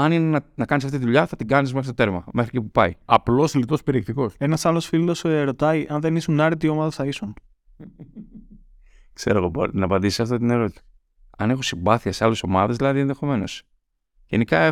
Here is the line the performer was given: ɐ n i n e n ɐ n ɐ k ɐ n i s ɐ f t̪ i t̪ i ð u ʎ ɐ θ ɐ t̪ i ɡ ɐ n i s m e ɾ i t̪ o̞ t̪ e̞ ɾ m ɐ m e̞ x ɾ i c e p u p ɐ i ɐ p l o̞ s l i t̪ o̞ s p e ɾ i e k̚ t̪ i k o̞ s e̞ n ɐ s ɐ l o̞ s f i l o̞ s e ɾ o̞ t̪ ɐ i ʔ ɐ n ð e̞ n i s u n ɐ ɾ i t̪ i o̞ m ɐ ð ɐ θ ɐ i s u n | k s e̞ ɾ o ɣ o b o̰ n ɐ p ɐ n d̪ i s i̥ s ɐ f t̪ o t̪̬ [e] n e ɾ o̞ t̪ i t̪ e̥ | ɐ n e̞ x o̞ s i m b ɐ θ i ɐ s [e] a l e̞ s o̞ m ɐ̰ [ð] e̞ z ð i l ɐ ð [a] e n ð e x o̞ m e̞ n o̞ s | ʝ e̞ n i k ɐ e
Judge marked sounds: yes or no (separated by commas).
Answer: no, yes, yes, no